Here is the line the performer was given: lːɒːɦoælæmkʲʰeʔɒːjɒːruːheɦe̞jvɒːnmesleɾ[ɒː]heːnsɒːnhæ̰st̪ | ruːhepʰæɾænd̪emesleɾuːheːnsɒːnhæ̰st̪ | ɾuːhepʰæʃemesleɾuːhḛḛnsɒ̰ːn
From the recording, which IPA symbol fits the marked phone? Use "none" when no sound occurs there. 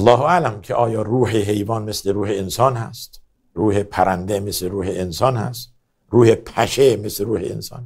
uː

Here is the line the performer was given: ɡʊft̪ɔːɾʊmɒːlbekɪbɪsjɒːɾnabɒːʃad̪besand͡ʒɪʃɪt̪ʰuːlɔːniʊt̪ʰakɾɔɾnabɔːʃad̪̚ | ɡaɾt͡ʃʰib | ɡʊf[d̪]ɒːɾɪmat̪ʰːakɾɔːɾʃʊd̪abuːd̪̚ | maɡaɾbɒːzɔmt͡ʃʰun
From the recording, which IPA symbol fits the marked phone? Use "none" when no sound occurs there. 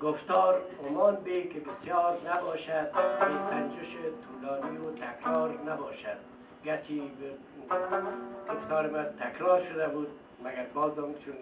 t̪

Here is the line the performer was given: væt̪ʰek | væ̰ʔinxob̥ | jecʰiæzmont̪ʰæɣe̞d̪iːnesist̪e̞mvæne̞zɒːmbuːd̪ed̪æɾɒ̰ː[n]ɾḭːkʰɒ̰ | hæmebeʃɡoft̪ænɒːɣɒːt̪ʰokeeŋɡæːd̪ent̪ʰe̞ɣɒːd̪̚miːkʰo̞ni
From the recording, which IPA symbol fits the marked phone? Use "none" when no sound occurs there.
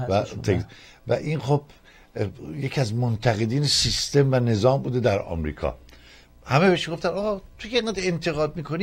m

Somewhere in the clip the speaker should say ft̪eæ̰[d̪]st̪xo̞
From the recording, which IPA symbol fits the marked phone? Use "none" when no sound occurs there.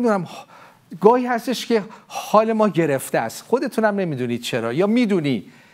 none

